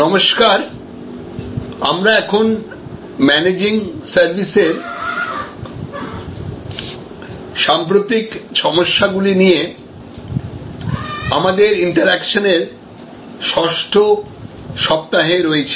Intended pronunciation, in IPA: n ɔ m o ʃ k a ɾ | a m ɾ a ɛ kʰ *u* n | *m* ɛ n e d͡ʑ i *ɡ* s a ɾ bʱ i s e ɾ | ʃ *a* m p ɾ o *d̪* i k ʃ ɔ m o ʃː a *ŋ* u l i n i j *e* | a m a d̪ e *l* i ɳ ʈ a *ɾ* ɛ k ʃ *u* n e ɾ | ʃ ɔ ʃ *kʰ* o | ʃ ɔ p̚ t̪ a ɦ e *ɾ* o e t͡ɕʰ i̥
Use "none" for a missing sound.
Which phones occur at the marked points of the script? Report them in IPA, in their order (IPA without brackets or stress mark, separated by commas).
o, m, ŋ, a, t̪, ɡ, e, ɾ, ɾ, o, ʈʰ, ɾ